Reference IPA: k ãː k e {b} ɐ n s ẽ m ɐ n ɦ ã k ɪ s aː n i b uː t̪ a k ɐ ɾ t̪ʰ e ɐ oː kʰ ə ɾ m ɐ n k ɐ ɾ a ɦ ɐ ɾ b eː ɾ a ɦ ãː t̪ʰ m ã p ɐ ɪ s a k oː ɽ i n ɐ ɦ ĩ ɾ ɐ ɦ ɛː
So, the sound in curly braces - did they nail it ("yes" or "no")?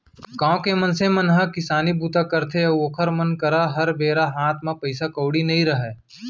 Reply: no